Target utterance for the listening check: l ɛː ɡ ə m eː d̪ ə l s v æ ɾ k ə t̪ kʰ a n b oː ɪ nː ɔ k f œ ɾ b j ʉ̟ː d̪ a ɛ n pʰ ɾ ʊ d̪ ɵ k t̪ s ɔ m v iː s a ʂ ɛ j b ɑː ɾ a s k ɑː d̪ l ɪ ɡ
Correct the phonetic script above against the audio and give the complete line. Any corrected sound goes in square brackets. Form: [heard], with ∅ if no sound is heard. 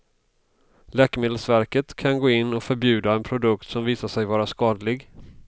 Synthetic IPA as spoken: l ɛː [k] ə m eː d̪ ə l s v æ ɾ k ə t̪ kʰ a n [ɡ] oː ɪ nː ɔ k f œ ɾ b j ʉ̟ː d̪ a ɛ n pʰ ɾ ʊ d̪ ɵ k t̪ s ɔ m v iː s a ʂ ɛ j [v] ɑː ɾ a s k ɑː d̪ l ɪ ɡ